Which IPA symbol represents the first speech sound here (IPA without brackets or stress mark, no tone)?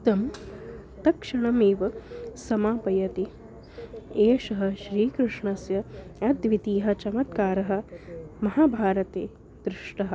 t̪